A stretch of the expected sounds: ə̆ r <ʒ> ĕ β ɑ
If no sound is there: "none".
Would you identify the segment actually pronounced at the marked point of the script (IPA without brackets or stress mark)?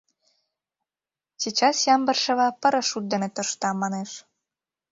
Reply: ʃ